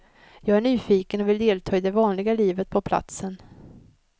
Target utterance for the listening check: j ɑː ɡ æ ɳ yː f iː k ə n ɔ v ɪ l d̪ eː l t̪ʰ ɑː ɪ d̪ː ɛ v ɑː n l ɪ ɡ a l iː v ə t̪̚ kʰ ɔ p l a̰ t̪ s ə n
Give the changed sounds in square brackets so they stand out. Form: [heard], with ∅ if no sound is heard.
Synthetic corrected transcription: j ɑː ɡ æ ɳ yː f iː k ə n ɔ v ɪ l d̪ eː l t̪ʰ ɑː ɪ [d̪] ɛ v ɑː n l ɪ ɡ a l iː v ə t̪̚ [pʰ] ɔ [pʰ] l a̰ t̪ s ə n